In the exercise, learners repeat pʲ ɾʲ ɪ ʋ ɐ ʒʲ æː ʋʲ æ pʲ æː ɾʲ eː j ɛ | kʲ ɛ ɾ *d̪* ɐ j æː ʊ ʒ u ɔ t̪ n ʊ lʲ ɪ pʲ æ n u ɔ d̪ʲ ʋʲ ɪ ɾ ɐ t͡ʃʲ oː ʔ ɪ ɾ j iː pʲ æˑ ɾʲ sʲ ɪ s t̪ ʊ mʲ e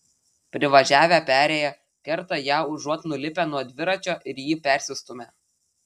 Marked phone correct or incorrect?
incorrect